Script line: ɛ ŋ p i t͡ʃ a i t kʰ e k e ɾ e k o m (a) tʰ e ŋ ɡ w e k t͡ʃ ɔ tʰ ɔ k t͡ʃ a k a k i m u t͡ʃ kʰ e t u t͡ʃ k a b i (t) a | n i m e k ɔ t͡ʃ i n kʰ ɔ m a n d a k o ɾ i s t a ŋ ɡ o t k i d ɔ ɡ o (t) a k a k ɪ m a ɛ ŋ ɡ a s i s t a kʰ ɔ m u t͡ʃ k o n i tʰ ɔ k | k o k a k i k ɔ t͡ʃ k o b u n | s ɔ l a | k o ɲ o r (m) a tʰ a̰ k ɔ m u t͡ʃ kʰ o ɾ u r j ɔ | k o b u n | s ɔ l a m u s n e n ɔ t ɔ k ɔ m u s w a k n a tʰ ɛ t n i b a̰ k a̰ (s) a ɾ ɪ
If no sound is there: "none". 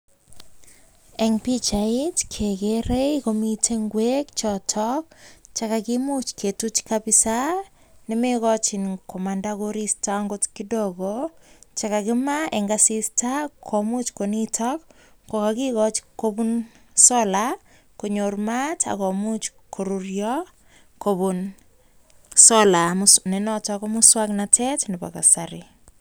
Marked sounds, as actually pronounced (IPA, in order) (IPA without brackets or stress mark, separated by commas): i, s, t͡ʃ, m, s